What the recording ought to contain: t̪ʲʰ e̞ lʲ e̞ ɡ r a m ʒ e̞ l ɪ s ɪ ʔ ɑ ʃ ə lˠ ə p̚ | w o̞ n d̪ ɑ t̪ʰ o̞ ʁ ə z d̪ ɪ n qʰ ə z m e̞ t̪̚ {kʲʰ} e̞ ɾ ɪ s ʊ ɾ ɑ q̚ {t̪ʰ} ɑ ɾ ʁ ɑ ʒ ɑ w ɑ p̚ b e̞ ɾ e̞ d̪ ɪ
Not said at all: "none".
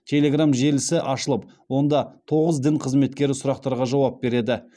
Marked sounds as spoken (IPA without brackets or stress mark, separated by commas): kʲ, t̪